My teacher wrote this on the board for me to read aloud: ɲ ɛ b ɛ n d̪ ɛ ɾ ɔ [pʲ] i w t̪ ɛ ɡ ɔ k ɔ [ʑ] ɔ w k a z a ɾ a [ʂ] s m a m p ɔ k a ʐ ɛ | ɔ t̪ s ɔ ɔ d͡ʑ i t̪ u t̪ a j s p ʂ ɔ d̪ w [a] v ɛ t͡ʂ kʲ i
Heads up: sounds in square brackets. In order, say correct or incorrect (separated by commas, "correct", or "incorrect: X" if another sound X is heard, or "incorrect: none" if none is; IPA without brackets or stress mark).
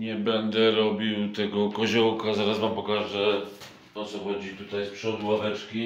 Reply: incorrect: bʲ, correct, incorrect: none, correct